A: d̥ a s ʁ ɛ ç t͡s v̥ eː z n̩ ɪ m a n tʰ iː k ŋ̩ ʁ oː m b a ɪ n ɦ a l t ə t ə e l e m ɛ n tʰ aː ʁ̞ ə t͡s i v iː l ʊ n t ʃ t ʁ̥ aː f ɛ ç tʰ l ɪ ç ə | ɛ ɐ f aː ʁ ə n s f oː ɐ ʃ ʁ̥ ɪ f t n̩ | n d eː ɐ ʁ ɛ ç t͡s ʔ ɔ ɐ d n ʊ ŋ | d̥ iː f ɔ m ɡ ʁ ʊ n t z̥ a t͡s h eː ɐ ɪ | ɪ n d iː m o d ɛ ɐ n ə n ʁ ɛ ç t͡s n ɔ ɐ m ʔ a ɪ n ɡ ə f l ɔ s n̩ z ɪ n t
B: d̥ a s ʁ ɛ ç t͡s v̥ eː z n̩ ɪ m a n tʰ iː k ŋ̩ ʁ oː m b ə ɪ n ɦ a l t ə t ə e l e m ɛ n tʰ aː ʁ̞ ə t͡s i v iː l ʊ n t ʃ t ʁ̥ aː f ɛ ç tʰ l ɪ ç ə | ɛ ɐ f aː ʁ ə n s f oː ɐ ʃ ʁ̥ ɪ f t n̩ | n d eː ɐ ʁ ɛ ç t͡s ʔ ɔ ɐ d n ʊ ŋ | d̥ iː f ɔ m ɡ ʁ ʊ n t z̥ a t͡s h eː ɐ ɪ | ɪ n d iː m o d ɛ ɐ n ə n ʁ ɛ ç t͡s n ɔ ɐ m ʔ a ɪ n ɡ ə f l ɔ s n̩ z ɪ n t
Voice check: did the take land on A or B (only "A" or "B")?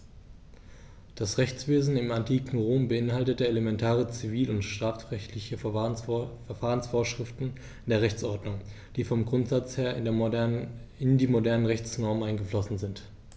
B